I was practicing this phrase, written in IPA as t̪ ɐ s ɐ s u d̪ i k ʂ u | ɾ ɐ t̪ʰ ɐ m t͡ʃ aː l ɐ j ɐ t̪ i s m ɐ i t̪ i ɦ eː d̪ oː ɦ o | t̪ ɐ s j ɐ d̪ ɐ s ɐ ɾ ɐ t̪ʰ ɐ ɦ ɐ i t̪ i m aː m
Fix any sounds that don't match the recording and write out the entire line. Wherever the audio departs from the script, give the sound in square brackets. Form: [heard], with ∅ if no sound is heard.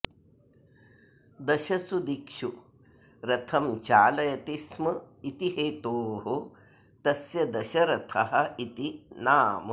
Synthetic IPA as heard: [d̪] ɐ [ʃ] ɐ s u d̪ i k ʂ u | ɾ ɐ t̪ʰ ɐ m t͡ʃ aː l ɐ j ɐ t̪ i s m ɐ i t̪ i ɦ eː [t̪] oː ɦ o | t̪ ɐ s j ɐ d̪ ɐ [ʃ] ɐ ɾ ɐ t̪ʰ ɐ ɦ ɐ i t̪ i [n] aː m